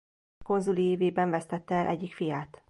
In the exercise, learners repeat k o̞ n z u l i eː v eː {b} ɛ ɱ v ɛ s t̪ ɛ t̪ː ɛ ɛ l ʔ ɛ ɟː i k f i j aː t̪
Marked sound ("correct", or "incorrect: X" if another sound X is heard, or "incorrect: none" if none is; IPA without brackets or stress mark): correct